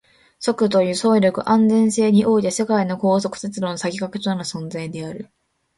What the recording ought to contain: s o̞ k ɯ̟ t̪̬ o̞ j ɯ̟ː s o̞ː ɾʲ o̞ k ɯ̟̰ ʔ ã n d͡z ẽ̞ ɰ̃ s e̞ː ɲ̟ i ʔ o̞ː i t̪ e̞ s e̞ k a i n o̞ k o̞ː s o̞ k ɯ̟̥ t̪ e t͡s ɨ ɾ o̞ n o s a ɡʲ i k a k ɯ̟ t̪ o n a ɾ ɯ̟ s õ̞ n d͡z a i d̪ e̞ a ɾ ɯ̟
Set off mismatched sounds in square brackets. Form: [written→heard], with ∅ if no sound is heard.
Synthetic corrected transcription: s o̞ k ɯ̟ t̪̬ o̞ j ɯ̟ː s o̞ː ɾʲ o̞ k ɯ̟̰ ʔ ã n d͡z ẽ̞ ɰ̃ s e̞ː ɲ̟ i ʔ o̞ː i t̪ e̞ s e̞ k a i n o̞ k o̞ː s o̞ k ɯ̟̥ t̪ e t͡s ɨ ɾ o̞ n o s a ɡʲ i k a k ɯ̟ t̪ o n a ɾ ɯ̟ s õ̞ n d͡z a i d̪ e̞ a ɾ ɯ̟